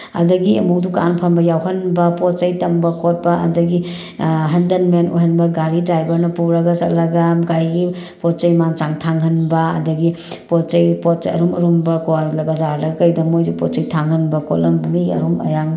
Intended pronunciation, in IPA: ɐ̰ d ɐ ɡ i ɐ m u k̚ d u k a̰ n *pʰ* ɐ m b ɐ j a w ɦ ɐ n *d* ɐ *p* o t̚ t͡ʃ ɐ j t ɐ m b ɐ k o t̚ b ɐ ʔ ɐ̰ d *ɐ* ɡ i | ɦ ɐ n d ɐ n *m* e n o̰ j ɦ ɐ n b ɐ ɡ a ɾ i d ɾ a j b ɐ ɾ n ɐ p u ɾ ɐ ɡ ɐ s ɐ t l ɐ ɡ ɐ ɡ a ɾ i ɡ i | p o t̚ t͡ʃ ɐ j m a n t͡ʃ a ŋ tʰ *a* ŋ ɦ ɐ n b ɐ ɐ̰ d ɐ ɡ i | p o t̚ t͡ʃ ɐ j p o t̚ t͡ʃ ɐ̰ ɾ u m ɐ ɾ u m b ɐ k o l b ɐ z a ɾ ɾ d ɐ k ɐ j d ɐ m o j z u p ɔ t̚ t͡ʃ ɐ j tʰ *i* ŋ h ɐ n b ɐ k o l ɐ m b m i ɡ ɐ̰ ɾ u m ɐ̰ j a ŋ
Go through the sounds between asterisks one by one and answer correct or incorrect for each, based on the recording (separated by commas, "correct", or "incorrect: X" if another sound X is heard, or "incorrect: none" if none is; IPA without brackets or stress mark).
correct, incorrect: b, correct, correct, correct, correct, incorrect: a